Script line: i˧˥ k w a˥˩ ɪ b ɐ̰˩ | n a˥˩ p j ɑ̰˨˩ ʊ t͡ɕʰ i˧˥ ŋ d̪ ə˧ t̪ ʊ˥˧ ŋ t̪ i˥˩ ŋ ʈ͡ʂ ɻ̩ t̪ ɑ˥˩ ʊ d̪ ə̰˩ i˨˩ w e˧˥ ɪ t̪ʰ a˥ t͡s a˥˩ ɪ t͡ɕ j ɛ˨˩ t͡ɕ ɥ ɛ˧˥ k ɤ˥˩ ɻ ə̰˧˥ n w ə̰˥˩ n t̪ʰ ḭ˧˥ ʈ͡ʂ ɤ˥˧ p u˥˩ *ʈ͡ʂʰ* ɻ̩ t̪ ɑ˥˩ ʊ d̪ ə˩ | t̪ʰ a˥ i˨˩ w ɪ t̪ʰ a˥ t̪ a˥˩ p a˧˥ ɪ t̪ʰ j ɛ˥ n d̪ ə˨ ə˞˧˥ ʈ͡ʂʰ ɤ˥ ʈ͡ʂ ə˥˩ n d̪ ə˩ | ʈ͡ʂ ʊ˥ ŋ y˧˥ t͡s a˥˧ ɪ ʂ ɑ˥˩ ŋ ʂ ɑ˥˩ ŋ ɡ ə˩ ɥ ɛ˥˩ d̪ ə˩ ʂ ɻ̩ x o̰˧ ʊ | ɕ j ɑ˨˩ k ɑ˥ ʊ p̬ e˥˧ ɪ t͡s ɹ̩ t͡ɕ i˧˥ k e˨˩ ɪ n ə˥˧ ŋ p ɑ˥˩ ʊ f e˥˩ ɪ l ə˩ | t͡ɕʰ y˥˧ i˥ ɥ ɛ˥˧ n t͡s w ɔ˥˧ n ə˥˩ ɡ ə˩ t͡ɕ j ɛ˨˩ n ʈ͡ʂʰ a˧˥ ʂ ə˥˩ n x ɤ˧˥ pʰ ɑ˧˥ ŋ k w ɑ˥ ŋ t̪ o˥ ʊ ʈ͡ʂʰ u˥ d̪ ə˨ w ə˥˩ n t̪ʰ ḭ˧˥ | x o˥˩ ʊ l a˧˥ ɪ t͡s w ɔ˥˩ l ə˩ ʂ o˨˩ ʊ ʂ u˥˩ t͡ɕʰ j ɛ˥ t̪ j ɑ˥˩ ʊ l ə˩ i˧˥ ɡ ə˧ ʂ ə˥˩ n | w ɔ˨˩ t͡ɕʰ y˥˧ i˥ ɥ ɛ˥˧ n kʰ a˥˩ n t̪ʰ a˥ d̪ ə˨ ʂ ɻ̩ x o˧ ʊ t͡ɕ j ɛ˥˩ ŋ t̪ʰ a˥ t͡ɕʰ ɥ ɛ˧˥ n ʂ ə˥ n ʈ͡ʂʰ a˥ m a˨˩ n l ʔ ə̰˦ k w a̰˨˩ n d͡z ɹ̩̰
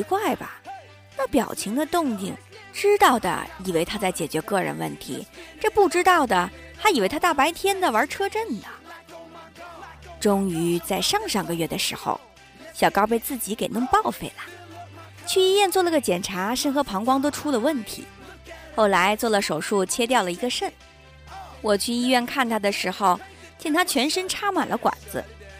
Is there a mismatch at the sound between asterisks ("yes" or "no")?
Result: yes